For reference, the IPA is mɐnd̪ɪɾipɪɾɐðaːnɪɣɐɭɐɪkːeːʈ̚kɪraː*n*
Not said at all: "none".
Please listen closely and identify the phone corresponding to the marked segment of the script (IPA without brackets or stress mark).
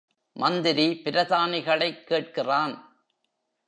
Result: n